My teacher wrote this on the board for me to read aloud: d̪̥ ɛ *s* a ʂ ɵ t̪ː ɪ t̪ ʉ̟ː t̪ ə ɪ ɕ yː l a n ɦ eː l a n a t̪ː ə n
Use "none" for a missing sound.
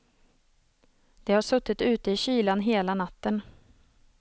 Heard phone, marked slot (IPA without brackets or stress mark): h